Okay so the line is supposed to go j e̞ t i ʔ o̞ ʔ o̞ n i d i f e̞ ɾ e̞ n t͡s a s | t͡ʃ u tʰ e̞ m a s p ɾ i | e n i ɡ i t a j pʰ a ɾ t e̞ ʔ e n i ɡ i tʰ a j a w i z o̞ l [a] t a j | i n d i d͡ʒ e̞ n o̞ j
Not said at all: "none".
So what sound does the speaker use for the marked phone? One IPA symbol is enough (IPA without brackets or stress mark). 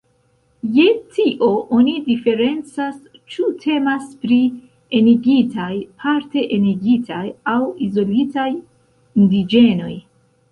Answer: i